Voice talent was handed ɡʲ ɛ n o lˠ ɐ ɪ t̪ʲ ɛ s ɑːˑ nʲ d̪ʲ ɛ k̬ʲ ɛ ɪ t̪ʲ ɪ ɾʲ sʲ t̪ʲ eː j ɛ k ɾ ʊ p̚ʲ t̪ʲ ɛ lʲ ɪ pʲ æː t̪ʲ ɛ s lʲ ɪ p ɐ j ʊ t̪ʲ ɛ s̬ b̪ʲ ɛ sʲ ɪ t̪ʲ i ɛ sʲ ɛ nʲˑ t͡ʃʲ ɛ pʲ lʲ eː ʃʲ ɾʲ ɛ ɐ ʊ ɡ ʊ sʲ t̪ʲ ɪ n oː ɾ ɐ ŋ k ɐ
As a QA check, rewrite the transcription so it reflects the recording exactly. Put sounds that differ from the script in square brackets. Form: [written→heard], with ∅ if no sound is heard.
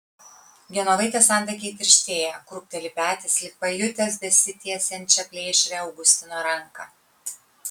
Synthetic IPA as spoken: ɡʲ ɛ n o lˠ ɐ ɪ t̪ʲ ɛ s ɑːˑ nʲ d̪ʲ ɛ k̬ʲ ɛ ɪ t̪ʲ ɪ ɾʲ [sʲ→ʃʲ] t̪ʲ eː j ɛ k ɾ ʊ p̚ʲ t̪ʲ ɛ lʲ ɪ pʲ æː t̪ʲ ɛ s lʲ ɪ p ɐ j ʊ t̪ʲ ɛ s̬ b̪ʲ ɛ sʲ ɪ t̪ʲ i ɛ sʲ ɛ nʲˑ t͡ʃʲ ɛ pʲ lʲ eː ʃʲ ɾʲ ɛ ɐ ʊ ɡ ʊ sʲ t̪ʲ ɪ n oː ɾ ɐ ŋ k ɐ